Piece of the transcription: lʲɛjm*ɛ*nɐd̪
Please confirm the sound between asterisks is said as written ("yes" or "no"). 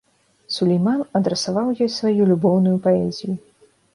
no